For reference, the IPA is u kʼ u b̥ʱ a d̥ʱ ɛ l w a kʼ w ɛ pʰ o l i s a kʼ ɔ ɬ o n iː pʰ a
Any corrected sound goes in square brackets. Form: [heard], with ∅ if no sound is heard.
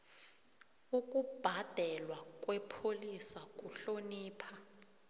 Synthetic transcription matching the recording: u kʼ u b̥ʱ a d̥ʱ ɛ l w a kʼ w ɛ pʰ o l i s a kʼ [u] ɬ o n iː pʰ a

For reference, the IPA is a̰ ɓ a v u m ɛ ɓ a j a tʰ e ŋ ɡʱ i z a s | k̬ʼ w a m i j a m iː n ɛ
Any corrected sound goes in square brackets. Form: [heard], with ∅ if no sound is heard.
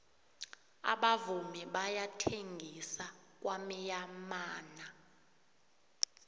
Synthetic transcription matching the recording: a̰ ɓ a v u m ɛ ɓ a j a tʰ e ŋ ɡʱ i [s] a [∅] | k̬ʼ w a m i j a m [aː] n [a]

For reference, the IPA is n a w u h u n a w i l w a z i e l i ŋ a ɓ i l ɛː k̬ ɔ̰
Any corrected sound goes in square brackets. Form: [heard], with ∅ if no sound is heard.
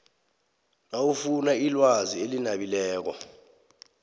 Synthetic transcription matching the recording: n a w u [f] u n a [∅] i l w a z i e l i [n] a ɓ i l ɛː k̬ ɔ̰

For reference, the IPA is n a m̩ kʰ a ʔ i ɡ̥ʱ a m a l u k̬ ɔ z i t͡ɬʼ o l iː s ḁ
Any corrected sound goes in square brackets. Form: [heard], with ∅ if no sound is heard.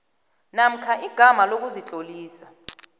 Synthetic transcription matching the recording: n a m̩ kʰ a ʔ i ɡ̥ʱ a m a l [o] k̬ [u] z i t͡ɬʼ o l iː s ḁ

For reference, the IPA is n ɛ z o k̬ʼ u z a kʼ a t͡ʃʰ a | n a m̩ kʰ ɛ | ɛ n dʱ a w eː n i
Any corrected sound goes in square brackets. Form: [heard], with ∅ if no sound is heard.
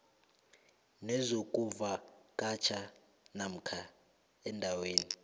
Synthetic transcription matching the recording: n ɛ z o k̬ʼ u [v] a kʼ a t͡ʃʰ a | n a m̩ kʰ [a] | ɛ n dʱ a w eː n i

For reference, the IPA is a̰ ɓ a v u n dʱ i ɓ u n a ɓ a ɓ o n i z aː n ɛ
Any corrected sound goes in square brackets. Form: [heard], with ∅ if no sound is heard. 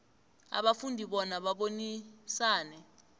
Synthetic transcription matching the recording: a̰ ɓ a [f] u n dʱ i ɓ [ɔ] n a ɓ a ɓ o n i [s] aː n ɛ

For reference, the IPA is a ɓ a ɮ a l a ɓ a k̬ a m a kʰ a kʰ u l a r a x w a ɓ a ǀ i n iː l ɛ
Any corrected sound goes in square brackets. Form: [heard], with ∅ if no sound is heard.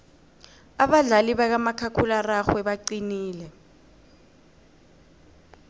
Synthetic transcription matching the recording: a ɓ a ɮ a l [i] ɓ a k̬ a m a kʰ a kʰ u l a r a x w [ɛ] ɓ a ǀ i n iː l ɛ

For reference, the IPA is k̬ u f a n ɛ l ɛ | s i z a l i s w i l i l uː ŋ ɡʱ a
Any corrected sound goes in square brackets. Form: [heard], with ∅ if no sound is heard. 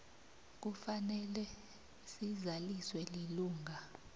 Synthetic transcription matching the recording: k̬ u f a n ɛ l ɛ | s i z a l i s w [ɛ] l i l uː ŋ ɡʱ a

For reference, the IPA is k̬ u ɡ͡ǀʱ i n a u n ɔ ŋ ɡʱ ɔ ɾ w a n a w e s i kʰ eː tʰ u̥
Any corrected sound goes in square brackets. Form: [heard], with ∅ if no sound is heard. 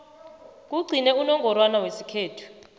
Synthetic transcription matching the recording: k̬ u ɡ͡ǀʱ i n [ɛ] u n ɔ ŋ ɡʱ ɔ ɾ w a n a w e s i kʰ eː tʰ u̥

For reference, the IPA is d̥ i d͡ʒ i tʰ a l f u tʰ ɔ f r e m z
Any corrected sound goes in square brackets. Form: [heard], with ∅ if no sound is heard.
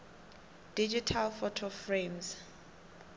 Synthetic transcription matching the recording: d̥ i d͡ʒ i tʰ a l f [ɔ] tʰ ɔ f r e m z

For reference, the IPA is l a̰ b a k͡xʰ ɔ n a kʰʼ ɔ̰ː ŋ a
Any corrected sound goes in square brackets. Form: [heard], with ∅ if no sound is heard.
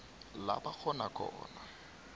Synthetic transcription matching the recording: l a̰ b a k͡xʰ ɔ n a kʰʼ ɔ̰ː [n] a

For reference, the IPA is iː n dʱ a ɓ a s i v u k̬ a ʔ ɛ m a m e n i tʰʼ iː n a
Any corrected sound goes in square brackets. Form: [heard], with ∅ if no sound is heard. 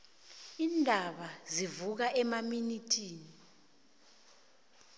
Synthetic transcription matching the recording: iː n dʱ a ɓ a [z] i v u k̬ a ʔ ɛ m a m [i] n i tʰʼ iː n [i]

